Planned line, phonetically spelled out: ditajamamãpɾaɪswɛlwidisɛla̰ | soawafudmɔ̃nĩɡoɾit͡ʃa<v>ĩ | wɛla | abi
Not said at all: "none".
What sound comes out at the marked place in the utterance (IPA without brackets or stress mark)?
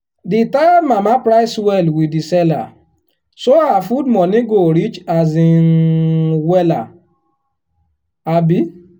z